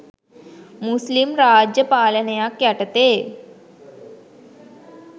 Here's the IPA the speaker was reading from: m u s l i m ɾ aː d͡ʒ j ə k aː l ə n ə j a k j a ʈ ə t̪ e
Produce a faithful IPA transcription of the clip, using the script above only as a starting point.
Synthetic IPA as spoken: m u s l i m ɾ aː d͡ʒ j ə p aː l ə n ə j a k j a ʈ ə t̪ e